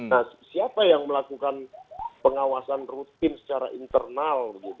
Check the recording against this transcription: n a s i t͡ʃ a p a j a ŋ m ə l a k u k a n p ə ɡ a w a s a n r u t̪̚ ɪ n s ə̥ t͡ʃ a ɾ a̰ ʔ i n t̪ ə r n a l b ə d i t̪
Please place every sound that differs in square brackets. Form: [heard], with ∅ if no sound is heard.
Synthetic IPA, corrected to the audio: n a s i [∅] a p a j a ŋ m ə l a k u k a n p ə [ŋ] a w a s a n r u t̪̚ ɪ n s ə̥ t͡ʃ a ɾ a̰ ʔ i n t̪ ə r n a l b ə [ɡ] i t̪